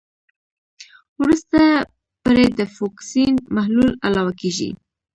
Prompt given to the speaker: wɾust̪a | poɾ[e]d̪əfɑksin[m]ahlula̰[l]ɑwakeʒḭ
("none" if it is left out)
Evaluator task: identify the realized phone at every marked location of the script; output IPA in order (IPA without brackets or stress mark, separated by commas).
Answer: e, m, l